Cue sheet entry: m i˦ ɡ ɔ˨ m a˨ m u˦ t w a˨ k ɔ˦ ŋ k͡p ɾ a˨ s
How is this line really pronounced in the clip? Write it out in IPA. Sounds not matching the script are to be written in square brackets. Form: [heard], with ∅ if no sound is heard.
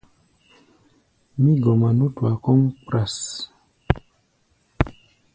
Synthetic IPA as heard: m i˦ ɡ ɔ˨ m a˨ [n] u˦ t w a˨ k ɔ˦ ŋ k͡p ɾ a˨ s